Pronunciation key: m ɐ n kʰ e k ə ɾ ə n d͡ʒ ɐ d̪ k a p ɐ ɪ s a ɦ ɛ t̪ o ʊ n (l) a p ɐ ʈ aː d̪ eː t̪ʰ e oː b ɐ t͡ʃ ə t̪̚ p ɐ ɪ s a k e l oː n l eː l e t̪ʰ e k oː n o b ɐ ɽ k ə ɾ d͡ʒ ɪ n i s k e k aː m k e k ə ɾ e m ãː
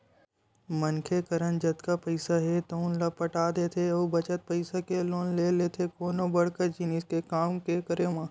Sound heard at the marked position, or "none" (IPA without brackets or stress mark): l